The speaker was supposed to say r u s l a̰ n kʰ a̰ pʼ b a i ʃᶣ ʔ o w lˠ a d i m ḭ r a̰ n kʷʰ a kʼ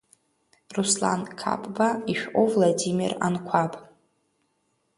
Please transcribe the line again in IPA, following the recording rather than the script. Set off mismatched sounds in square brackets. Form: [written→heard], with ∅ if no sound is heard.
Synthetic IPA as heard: r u s l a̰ n kʰ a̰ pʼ b a i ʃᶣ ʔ o [w→v] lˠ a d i m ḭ r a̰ n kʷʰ a [kʼ→pʼ]

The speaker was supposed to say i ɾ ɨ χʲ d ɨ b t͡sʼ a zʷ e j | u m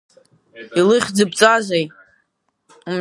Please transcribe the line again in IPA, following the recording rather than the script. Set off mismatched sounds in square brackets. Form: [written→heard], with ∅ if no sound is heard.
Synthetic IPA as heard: i [ɾ→l] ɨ χʲ [d→d͡z] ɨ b t͡sʼ a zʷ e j | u m

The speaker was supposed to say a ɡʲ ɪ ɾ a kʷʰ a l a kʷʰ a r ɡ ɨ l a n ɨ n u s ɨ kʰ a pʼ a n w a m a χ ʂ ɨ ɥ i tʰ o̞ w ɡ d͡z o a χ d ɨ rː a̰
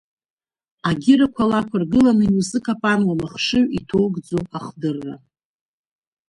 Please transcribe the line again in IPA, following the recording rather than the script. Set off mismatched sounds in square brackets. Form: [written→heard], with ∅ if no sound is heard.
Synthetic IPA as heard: a ɡʲ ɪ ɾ a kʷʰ a l a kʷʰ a r ɡ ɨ l a n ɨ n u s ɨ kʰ a pʼ a n w a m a χ ʂ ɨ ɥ i tʰ o̞ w ɡ d͡z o a χ d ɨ rː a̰

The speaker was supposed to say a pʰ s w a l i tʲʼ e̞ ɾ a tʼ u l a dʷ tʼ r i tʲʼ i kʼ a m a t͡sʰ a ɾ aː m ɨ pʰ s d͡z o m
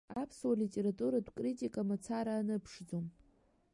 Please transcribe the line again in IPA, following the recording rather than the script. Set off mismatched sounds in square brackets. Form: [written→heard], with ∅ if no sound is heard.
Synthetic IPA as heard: a pʰ s w a l i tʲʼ e̞ ɾ a tʼ u [l→ɾ] a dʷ [tʼ→kʼ] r i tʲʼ i kʼ a m a t͡sʰ a ɾ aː [m→n] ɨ pʰ [s→ʂ] d͡z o m

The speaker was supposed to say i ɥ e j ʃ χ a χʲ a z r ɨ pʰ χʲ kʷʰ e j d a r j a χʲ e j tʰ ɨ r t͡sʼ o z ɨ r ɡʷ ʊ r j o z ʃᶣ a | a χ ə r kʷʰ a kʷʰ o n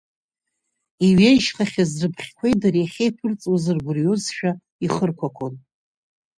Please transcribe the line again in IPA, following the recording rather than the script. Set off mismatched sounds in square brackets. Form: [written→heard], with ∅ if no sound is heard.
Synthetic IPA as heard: i ɥ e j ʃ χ a χʲ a z r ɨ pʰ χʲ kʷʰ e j d a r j a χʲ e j [tʰ→pʰ] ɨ r t͡sʼ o z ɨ r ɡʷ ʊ r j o z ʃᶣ a | [a→i] χ ə r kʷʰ a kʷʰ o n

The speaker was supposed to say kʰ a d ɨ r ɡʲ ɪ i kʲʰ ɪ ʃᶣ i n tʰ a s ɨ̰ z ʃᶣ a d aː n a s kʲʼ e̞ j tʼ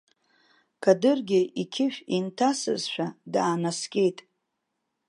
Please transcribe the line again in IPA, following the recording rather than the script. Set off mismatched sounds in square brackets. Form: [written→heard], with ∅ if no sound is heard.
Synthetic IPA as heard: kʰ a d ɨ r ɡʲ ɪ i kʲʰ ɪ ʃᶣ i n tʰ a s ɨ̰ z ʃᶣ a d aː n a s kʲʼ e̞ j tʼ

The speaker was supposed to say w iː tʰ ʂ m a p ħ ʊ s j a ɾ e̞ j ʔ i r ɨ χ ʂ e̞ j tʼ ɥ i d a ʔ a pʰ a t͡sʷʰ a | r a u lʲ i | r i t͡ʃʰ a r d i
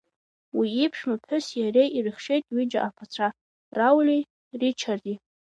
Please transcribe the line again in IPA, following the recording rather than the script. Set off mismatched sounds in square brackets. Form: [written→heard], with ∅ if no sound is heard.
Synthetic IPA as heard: w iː [tʰ→pʰ] ʂ m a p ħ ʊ s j a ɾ e̞ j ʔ i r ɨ χ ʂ e̞ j tʼ ɥ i [d→d͡ʒ] a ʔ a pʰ a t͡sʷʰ a | r a [u→w] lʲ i | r i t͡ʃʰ a r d i

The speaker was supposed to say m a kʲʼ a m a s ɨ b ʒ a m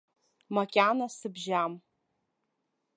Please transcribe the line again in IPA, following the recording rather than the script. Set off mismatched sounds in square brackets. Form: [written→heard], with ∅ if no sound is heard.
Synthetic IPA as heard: m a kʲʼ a [m→n] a s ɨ b ʒ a m

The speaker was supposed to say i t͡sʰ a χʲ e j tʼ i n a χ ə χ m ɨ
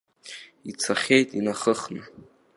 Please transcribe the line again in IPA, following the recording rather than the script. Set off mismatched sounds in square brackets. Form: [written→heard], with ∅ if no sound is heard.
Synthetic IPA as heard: i t͡sʰ a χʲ e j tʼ i n a χ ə χ [m→n] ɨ

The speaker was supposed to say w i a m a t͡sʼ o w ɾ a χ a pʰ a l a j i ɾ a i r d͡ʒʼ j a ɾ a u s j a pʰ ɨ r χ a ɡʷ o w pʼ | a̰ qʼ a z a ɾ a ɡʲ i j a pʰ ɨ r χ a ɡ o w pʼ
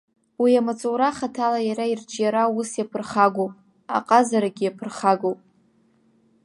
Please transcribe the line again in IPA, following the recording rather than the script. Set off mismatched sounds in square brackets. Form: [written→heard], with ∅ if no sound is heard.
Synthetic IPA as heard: w i a m a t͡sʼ o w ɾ a χ a [pʰ→tʰ] a l a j [i→a] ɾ a i r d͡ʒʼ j a ɾ a u s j a pʰ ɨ r χ a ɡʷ o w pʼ | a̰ qʼ a z a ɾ a ɡʲ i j a pʰ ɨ r χ a ɡ o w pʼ

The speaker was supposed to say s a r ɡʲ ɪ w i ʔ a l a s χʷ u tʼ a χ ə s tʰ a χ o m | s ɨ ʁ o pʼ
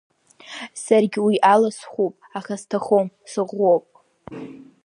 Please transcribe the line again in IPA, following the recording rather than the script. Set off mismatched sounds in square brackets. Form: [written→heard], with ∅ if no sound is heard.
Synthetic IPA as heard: s a r ɡʲ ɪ w i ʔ a l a s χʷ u [tʼ→pʼ] a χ [ə→a] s tʰ a χ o m | s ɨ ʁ o pʼ

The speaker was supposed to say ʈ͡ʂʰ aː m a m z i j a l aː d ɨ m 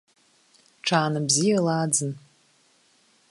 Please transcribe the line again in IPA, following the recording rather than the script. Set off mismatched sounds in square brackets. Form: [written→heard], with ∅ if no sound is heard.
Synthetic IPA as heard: ʈ͡ʂʰ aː [m→n] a [m→b] z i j a l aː [d→d͡z] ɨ [m→n]

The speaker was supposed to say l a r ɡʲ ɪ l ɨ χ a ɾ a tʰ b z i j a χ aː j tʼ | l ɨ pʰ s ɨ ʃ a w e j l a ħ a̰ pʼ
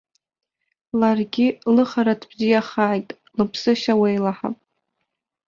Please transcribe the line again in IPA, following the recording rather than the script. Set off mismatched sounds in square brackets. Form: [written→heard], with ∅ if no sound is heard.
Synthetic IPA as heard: l a r ɡʲ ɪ l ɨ χ a ɾ a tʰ b z i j a χ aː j tʼ | l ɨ pʰ s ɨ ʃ a w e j l a ħ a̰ pʼ

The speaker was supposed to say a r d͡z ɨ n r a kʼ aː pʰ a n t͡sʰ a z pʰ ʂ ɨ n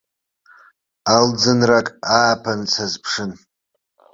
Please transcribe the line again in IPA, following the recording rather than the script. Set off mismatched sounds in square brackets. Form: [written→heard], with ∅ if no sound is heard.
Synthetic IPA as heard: a [r→l] d͡z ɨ n r a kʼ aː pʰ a n t͡sʰ a z pʰ ʂ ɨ n

